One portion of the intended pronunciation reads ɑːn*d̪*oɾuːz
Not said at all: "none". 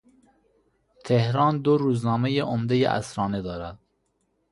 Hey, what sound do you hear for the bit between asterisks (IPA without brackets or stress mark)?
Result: d̪